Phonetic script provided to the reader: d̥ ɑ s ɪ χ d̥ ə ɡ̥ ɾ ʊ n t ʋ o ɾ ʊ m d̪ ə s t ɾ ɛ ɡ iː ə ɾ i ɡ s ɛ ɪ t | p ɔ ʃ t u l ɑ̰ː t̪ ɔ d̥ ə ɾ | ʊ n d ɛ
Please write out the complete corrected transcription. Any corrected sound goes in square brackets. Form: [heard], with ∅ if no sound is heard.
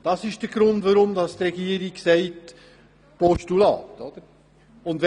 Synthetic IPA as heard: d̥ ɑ s ɪ [ʃ] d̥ ə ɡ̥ ɾ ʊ n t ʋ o ɾ ʊ m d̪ [ɑ] s t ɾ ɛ ɡ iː ə ɾ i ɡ s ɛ ɪ t | p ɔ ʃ t u l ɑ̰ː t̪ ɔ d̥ ə ɾ | ʊ n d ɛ